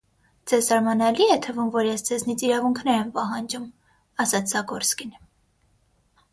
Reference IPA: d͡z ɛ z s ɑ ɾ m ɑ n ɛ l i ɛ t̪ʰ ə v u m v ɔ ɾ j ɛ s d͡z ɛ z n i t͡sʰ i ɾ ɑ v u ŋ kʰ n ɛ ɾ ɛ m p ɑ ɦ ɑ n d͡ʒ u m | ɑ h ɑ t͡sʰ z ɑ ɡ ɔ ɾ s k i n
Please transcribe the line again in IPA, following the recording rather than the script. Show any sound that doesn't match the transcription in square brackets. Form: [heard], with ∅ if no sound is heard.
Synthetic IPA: d͡z ɛ z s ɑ ɾ m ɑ n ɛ l i ɛ t̪ʰ ə v u m v ɔ ɾ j ɛ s d͡z ɛ z n i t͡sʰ i ɾ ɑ v u ŋ kʰ n ɛ ɾ ɛ m p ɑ ɦ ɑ n d͡ʒ u m | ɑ [s] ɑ t͡sʰ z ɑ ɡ ɔ ɾ s k i n